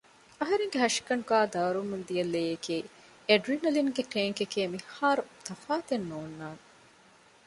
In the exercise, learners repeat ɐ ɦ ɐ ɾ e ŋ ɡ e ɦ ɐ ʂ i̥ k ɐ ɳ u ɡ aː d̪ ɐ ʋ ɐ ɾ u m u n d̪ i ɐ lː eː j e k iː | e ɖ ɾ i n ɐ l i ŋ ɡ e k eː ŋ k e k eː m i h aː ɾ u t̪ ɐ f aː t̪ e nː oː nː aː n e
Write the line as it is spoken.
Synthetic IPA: ɐ ɦ ɐ ɾ e ŋ ɡ e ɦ ɐ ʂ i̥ k ɐ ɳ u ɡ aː d̪ ɐ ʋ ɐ ɾ u m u n d̪ i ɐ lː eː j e k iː | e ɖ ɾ i n ɐ l i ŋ ɡ e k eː ŋ k e k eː m i h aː ɾ u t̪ ɐ f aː t̪ e nː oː nː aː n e